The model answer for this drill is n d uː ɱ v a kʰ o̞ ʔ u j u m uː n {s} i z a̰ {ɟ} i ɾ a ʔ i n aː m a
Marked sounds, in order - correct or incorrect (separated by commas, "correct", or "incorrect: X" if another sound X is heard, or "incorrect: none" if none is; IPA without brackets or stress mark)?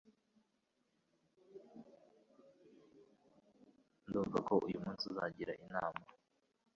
correct, correct